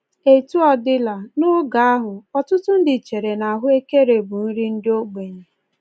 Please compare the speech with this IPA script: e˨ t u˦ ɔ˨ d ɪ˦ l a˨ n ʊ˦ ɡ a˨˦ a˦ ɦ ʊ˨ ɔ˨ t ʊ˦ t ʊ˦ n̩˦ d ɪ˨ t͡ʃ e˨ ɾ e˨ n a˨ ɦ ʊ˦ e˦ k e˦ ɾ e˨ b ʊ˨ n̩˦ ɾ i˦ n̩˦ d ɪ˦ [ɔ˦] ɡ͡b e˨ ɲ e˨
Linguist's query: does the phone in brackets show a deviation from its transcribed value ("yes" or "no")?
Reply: yes